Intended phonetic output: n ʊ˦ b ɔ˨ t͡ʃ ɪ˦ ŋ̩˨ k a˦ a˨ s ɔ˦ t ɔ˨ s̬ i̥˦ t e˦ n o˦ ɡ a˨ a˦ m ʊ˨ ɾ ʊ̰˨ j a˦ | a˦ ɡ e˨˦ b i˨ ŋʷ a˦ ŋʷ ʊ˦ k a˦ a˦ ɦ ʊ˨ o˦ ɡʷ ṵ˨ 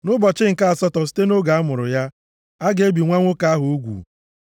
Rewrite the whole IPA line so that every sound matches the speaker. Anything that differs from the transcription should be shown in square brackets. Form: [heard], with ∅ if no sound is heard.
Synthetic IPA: n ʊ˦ b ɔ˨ t͡ʃ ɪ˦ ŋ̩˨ k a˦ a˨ s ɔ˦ t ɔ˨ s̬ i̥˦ t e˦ n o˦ ɡ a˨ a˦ m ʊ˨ ɾ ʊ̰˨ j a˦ | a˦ ɡ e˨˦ b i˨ ŋʷ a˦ ŋʷ ʊ˦ k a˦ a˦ ɦ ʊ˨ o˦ ɡʷ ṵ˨